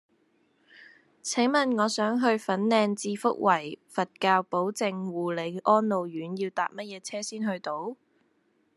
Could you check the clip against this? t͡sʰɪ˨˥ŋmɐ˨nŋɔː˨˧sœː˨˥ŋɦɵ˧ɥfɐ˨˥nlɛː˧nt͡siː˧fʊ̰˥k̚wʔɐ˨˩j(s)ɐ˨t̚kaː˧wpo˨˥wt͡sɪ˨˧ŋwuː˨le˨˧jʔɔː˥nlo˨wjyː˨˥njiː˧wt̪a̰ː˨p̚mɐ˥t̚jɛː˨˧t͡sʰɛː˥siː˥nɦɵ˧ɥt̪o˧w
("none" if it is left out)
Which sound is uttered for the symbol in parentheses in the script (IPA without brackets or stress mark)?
f